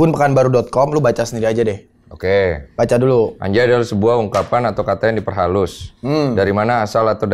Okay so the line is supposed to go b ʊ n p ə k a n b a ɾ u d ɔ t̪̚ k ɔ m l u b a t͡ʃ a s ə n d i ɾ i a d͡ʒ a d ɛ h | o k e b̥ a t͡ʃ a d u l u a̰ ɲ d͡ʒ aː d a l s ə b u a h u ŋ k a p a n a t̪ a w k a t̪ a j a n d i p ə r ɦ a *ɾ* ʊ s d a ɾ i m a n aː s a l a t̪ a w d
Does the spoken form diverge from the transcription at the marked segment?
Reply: yes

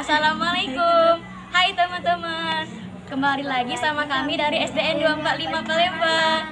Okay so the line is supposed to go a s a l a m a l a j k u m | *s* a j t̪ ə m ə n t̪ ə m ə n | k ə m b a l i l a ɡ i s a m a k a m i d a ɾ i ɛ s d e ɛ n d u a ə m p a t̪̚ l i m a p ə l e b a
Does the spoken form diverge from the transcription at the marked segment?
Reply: yes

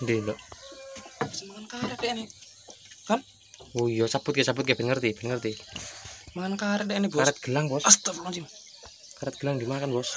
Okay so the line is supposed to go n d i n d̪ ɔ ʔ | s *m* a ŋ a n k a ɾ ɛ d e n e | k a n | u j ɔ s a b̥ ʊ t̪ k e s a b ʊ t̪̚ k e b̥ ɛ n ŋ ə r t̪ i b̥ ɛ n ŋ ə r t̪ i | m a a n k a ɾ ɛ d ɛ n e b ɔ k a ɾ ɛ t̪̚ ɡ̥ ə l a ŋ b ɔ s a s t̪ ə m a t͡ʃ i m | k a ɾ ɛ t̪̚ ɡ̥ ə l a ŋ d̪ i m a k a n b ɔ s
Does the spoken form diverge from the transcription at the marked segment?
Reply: no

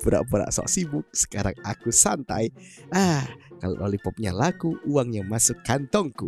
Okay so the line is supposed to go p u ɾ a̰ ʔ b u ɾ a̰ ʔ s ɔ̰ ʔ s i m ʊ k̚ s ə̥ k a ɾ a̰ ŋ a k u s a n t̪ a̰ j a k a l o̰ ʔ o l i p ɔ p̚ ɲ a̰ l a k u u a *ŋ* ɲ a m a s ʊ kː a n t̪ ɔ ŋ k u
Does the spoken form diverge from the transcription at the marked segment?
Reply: no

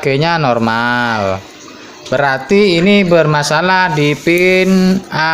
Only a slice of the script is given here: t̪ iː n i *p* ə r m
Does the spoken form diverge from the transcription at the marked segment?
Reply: yes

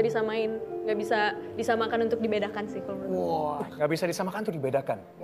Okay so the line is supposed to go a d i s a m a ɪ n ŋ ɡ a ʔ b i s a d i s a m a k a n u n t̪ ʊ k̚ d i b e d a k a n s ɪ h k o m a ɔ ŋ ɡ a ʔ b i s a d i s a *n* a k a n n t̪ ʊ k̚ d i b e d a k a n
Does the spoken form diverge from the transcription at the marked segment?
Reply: yes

